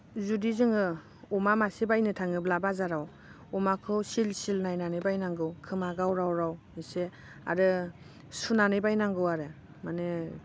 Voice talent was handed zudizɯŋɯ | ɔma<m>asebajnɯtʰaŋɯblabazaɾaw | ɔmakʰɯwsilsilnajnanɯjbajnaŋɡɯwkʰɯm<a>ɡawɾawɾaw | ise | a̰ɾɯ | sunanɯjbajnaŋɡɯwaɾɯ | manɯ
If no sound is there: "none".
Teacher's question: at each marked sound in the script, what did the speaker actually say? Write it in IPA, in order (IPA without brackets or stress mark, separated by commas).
m, a